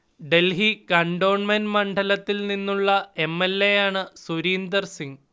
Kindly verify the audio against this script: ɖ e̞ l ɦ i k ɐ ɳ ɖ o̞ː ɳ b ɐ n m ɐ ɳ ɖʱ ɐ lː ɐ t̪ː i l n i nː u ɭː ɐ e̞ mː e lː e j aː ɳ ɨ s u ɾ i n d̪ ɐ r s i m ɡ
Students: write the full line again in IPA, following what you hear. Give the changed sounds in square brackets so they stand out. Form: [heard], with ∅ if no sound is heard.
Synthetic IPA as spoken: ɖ e̞ l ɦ i k ɐ ɳ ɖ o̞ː ɳ [m] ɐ n m ɐ ɳ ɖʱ ɐ [l] ɐ t̪ː i l n i nː u ɭː ɐ e̞ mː e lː e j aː ɳ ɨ s u ɾ [iː] n d̪ ɐ r s i [ŋ] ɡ